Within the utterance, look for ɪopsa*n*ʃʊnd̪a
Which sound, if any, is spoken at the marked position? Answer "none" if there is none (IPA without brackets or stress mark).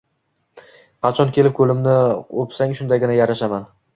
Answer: ŋ